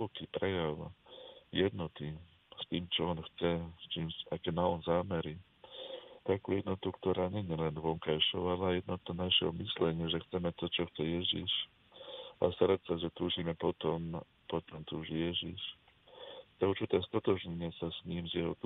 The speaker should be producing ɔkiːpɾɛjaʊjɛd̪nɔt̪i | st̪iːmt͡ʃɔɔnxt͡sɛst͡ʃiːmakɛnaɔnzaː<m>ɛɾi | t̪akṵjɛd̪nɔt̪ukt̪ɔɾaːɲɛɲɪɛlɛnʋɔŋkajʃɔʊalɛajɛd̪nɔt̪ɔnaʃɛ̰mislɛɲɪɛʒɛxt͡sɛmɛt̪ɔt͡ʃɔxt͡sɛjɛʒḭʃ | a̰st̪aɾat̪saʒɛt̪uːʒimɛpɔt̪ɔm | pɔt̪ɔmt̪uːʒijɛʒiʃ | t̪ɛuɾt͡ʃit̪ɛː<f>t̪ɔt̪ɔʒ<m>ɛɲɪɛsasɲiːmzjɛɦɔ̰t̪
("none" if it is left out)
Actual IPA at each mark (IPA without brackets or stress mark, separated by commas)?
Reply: m, s, ɲ